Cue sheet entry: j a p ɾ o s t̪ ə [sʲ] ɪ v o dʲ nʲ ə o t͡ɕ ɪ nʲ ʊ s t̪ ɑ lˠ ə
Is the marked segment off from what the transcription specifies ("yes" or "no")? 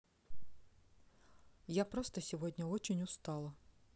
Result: no